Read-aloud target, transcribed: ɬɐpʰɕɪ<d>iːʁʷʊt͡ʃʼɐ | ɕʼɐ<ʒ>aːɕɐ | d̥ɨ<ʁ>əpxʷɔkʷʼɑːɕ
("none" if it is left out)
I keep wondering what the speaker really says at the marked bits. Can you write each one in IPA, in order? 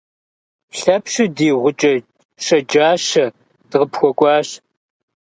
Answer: d, d͡ʒ, ʁ

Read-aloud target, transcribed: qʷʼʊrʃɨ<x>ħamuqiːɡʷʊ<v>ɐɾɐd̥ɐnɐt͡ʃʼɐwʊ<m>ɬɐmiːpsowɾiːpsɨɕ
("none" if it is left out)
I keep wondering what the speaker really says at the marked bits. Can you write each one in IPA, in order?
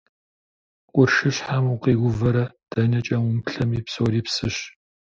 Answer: ɕ, v, m

